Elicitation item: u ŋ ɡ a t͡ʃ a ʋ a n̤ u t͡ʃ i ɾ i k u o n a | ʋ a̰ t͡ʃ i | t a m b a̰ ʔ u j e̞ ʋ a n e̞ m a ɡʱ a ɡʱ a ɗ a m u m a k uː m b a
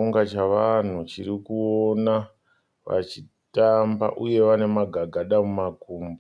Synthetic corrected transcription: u ŋ ɡ a t͡ʃ a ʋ a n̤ u t͡ʃ i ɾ i k u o n a | ʋ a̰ t͡ʃ i | t a m b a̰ ʔ u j e̞ ʋ a n e̞ m a ɡʱ a ɡʱ a ɗ a m u m a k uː m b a